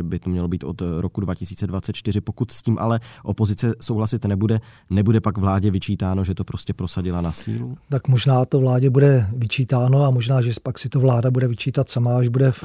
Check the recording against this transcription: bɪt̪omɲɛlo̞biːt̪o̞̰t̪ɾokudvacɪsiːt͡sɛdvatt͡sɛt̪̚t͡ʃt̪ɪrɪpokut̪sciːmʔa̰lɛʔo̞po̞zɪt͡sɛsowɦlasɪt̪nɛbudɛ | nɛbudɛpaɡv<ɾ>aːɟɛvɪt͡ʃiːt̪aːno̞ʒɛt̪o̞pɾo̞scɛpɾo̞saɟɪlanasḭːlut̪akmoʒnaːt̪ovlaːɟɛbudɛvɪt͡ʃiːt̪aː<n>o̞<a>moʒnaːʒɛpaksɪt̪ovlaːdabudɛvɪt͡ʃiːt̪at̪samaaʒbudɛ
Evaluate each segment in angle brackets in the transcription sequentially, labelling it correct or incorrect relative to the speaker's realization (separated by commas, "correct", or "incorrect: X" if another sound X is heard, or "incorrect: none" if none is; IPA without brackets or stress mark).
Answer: incorrect: l, correct, correct